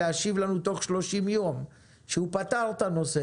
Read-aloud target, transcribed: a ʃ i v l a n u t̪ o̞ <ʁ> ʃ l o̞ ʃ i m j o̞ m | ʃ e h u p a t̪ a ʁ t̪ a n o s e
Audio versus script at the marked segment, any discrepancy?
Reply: yes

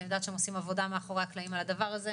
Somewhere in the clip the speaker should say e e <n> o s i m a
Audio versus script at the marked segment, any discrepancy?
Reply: yes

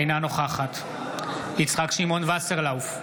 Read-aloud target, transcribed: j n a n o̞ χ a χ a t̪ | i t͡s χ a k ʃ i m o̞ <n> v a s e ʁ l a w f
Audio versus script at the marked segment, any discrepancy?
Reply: no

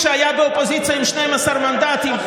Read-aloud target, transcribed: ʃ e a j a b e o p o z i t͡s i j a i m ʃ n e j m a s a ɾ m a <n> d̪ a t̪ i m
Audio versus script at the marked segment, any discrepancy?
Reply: no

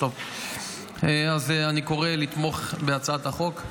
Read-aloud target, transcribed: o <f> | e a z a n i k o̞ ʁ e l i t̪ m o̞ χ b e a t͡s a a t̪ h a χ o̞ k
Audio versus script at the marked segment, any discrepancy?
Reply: yes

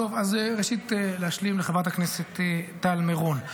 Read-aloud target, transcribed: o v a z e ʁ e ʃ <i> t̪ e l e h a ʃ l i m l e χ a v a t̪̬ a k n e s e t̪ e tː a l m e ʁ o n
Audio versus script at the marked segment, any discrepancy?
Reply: no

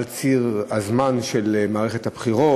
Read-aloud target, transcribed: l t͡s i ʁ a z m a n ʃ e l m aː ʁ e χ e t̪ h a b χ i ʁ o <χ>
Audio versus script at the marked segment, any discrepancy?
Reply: yes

